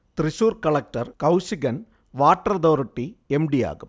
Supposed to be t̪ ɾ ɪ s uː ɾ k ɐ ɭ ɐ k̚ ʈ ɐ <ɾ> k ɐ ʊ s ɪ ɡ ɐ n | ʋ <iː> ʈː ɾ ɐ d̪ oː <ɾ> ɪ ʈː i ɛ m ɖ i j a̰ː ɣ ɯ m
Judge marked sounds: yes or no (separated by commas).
yes, no, yes